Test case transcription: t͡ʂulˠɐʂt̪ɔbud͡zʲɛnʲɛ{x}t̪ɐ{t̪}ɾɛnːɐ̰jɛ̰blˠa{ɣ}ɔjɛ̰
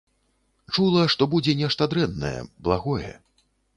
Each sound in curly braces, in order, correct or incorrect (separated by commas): incorrect, incorrect, correct